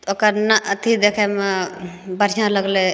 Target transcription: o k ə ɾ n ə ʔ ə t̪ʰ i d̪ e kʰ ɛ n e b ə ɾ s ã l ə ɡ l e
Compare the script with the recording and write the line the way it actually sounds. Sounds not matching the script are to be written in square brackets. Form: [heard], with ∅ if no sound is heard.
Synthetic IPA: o k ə ɾ n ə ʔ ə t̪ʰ i d̪ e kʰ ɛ [m] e b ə ɾ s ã l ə ɡ l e